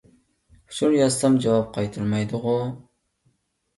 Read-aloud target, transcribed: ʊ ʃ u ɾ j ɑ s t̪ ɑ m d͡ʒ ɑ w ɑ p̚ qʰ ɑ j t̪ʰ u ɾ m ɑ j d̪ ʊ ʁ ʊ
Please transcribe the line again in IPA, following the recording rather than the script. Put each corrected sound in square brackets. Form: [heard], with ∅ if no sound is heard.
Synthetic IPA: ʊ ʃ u ɾ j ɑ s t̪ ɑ m d͡ʒ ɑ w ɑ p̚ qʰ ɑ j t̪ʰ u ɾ m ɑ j d̪ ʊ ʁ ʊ